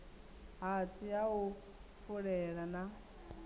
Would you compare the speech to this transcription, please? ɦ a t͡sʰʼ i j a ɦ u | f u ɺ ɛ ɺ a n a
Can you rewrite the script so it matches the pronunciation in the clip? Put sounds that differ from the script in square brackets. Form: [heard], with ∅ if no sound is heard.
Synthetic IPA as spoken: ɦ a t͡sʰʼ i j a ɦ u | f u ɺ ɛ ɺ a n a